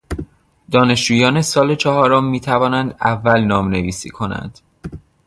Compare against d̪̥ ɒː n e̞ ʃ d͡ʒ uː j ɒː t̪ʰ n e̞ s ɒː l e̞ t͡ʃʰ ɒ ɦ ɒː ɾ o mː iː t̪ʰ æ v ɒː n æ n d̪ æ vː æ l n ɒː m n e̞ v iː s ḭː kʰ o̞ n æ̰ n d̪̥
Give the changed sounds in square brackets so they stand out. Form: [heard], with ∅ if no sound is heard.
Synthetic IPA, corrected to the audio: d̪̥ ɒː n e̞ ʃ d͡ʒ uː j ɒː [∅] n e̞ s ɒː l e̞ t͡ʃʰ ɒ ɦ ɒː ɾ o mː iː t̪ʰ æ v ɒː n æ n d̪ æ vː æ l n ɒː m n e̞ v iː s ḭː kʰ o̞ n æ̰ n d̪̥